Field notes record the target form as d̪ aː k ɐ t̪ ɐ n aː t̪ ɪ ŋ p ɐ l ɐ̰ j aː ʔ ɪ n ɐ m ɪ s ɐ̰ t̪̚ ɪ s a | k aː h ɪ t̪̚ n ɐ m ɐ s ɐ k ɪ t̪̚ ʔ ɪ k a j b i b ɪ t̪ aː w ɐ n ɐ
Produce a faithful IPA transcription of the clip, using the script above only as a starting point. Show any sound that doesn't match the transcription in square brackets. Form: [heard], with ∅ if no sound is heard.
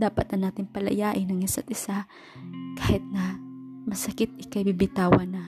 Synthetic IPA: d̪ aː [p] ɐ t̪ ɐ n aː t̪ ɪ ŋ p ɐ l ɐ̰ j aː ʔ ɪ n ɐ [ŋ] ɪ s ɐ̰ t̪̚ ɪ s a | k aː h ɪ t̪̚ n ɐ m ɐ s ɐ k ɪ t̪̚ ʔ ɪ k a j b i b ɪ t̪ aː w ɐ n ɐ